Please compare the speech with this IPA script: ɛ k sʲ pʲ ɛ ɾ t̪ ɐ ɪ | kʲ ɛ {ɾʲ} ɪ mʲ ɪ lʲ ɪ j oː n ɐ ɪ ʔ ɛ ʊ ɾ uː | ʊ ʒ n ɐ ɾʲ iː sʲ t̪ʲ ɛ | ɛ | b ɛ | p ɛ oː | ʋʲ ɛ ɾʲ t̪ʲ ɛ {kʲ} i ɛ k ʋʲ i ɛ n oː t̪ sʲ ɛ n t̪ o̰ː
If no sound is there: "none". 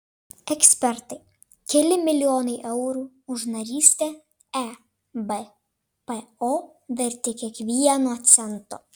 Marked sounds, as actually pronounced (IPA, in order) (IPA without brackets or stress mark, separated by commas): lʲ, kʲ